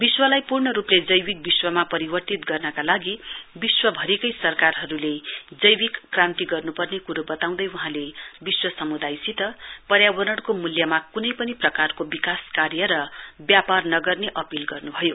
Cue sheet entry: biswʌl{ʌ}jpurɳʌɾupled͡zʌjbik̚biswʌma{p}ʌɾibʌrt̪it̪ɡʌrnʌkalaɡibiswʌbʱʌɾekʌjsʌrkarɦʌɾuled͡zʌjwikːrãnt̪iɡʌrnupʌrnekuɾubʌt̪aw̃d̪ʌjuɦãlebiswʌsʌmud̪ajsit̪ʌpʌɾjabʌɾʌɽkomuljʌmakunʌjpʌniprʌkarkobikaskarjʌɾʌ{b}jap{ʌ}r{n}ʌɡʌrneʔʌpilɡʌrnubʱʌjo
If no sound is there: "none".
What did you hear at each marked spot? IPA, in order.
a, p, b, a, n

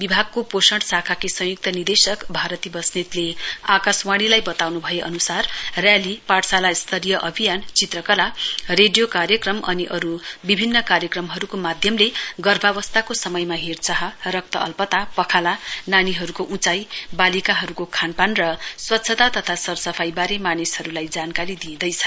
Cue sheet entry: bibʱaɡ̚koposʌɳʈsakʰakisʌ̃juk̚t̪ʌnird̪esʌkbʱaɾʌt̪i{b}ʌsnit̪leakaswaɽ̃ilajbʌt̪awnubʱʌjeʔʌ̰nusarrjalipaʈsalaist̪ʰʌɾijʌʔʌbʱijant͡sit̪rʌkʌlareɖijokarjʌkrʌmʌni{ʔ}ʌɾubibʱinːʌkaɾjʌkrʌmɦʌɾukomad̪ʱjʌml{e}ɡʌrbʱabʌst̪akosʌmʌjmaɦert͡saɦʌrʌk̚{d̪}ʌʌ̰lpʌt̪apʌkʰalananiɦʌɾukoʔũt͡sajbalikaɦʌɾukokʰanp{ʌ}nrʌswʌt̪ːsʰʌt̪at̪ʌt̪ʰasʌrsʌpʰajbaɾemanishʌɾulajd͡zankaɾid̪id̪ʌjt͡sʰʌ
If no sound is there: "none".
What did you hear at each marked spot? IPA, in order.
b, ʔ, e, t̪, a

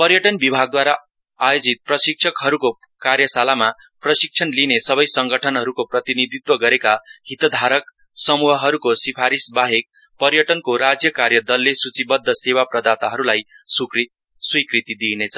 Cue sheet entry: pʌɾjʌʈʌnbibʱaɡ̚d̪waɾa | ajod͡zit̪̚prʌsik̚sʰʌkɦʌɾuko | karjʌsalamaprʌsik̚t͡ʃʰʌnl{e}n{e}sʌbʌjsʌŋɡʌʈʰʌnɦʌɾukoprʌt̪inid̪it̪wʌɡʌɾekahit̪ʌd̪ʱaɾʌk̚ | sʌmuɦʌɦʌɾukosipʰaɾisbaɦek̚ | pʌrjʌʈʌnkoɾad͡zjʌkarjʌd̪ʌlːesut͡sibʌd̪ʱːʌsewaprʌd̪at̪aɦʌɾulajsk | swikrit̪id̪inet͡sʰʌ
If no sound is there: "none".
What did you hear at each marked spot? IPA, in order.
i, e

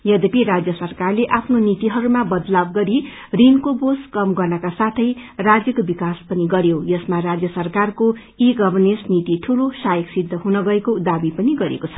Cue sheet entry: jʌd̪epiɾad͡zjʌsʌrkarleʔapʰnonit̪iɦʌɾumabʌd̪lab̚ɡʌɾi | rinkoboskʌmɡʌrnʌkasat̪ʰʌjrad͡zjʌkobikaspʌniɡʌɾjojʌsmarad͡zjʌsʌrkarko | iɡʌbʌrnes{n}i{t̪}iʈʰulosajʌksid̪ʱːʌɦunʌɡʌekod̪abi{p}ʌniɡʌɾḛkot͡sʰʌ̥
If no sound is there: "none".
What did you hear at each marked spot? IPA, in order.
n, t̪, p

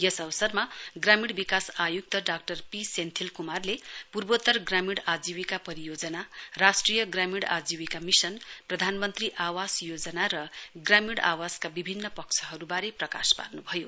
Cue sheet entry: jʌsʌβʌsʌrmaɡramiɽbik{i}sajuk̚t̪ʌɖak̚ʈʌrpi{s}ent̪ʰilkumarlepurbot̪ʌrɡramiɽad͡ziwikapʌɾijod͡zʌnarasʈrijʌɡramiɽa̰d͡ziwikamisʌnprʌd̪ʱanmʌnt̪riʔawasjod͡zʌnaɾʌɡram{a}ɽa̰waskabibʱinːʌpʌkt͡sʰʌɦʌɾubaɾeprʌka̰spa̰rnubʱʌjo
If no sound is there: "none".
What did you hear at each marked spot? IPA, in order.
a, s, i

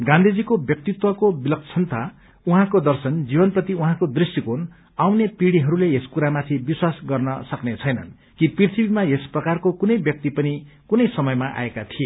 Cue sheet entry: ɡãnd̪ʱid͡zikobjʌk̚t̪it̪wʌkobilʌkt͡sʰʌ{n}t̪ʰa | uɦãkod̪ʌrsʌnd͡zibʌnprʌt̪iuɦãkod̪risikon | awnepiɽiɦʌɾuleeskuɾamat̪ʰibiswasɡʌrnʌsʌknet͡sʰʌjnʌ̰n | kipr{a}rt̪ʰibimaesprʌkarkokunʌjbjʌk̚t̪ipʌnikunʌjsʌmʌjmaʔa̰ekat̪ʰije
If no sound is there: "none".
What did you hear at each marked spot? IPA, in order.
n, i

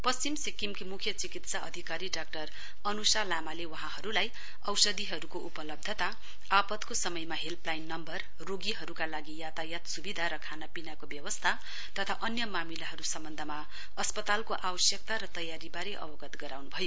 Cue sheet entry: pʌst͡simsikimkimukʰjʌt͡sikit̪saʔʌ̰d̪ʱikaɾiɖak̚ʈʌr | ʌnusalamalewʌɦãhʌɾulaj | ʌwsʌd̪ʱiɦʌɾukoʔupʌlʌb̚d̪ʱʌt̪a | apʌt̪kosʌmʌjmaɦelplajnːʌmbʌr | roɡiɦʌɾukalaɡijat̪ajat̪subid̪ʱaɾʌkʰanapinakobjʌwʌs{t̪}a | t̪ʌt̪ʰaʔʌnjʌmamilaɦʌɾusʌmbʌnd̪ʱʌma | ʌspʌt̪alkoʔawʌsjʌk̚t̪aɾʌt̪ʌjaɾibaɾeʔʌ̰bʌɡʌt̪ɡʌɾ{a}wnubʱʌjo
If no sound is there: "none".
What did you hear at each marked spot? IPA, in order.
t̪ʰ, a

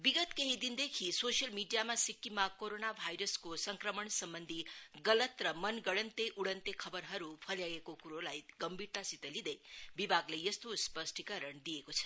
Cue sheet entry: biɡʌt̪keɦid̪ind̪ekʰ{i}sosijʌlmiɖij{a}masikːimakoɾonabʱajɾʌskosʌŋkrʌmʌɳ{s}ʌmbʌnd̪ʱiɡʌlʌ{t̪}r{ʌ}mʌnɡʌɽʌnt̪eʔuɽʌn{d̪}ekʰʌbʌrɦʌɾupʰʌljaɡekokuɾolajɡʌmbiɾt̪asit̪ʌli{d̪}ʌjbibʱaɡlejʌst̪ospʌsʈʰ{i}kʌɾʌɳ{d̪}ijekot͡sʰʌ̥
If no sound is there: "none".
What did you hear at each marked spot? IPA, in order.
i, a, s, t̪, ʌ, t̪, d̪, i, d̪

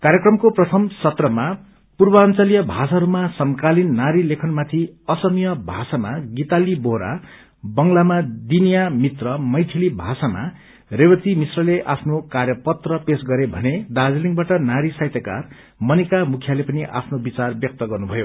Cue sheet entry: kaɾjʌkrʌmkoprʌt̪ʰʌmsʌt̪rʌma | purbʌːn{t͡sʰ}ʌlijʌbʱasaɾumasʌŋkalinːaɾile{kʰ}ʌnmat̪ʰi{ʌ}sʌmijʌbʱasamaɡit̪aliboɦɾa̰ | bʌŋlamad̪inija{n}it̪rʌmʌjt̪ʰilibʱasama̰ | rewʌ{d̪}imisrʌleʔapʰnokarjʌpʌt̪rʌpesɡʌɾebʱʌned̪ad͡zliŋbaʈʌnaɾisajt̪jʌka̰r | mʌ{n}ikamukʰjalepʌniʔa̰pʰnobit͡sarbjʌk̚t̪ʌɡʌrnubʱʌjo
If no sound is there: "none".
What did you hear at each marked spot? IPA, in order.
t͡s, kʰ, ʌ, m, t̪, n

